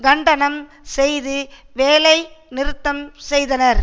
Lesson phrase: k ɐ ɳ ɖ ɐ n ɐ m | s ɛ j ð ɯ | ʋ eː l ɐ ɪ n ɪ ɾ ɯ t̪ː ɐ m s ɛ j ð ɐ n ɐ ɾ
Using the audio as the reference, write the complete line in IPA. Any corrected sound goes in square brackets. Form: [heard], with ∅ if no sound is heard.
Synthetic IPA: [ɡ] ɐ ɳ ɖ ɐ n ɐ m | s ɛ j ð ɯ | ʋ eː l ɐ ɪ n ɪ ɾ ɯ t̪ː ɐ m s ɛ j ð ɐ n ɐ ɾ

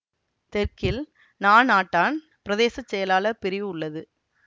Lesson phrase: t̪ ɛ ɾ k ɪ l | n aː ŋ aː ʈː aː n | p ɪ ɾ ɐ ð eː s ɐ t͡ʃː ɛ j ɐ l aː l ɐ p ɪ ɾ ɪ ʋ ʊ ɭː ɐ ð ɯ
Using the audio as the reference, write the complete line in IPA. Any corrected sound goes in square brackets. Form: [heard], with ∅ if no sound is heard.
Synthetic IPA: t̪ ɛ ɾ k ɪ l | n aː [n] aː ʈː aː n | p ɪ ɾ ɐ ð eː s ɐ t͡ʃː ɛ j ɐ l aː l ɐ p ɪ ɾ ɪ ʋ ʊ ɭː ɐ ð ɯ

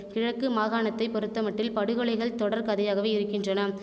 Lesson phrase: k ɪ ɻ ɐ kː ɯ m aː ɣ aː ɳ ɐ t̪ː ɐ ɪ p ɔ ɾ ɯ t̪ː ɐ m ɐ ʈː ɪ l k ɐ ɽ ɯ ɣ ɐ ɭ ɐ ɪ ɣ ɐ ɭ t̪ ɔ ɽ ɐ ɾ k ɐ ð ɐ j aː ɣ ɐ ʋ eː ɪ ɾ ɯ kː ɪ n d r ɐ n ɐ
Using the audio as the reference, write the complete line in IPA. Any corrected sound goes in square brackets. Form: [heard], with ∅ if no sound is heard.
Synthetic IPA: k ɪ ɻ ɐ kː ɯ m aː ɣ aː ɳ ɐ t̪ː ɐ ɪ p ɔ ɾ ɯ t̪ː ɐ m ɐ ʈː ɪ l [p] ɐ ɽ ɯ ɣ ɐ ɭ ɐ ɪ ɣ ɐ ɭ t̪ ɔ ɽ ɐ ɾ k ɐ ð ɐ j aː ɣ ɐ ʋ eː ɪ ɾ ɯ kː ɪ n d r ɐ n ɐ

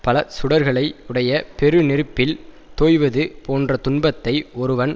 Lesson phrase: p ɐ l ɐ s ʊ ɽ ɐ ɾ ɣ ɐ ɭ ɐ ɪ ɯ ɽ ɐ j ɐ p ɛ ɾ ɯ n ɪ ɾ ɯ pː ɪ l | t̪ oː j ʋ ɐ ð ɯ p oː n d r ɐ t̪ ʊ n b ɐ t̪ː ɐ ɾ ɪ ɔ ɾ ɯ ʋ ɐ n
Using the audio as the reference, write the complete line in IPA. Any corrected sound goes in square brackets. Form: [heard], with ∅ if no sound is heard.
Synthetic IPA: p ɐ l ɐ s ʊ ɽ ɐ ɾ ɣ ɐ ɭ ɐ ɪ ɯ ɽ ɐ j ɐ p ɛ ɾ ɯ n ɪ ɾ ɯ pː ɪ l | t̪ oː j ʋ ɐ ð ɯ p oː n d r ɐ t̪ ʊ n b ɐ t̪ː ɐ [∅] ɪ ɔ ɾ ɯ ʋ ɐ n

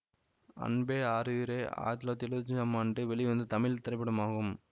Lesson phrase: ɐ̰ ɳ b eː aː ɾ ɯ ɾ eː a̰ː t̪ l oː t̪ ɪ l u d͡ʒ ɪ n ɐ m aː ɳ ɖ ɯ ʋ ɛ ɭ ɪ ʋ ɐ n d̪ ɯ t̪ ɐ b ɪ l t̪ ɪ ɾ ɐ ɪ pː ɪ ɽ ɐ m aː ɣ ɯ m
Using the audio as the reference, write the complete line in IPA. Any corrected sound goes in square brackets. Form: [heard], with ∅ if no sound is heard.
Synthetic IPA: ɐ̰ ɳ b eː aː ɾ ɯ ɾ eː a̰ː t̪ l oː t̪ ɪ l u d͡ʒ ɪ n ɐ m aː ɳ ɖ ɯ ʋ ɛ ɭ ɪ ʋ ɐ n d̪ ɯ t̪ ɐ [m] ɪ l t̪ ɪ ɾ ɐ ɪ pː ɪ ɽ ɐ m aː ɣ ɯ m

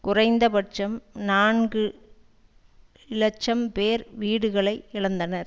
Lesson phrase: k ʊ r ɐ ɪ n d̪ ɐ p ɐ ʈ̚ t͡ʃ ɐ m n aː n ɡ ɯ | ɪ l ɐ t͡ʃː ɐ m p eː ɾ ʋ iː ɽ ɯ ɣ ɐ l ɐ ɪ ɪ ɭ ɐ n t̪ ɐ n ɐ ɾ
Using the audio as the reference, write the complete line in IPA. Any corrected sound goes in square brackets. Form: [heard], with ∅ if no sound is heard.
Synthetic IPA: k ʊ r ɐ ɪ n d̪ ɐ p ɐ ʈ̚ t͡ʃ ɐ m n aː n ɡ ɯ | ɪ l ɐ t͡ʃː ɐ m p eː ɾ ʋ iː ɽ ɯ ɣ ɐ [ɭ] ɐ ɪ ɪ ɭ ɐ n [d̪] ɐ n ɐ ɾ

